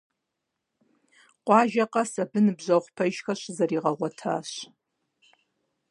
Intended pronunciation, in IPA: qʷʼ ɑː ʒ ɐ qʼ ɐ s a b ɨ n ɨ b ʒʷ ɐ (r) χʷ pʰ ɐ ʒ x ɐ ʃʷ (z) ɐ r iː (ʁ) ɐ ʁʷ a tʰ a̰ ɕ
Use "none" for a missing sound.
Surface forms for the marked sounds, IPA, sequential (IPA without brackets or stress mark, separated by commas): none, z, ʁ